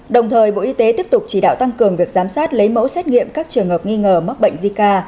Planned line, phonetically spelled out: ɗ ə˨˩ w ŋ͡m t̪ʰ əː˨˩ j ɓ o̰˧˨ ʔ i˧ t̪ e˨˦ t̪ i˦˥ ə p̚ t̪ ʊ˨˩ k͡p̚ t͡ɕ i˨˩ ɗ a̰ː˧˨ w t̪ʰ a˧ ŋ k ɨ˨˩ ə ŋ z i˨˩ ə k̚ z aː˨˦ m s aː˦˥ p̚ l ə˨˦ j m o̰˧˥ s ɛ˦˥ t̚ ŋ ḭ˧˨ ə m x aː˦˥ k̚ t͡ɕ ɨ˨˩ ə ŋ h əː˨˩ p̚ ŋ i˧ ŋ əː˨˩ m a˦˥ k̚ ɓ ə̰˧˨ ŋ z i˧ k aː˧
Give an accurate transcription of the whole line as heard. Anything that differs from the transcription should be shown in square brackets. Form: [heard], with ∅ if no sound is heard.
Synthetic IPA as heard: ɗ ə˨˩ w ŋ͡m t̪ʰ əː˨˩ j ɓ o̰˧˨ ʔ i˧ t̪ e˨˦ t̪ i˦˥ ə p̚ t̪ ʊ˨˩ k͡p̚ t͡ɕ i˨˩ ɗ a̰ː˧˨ w [t̪] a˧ ŋ k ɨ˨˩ ə ŋ [v] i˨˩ ə k̚ z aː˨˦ m s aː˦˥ [t̚] l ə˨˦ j m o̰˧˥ s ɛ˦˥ t̚ ŋ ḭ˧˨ ə m [k] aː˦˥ k̚ t͡ɕ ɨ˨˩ ə ŋ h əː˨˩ p̚ ŋ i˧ ŋ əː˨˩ m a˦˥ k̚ ɓ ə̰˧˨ ŋ z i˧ k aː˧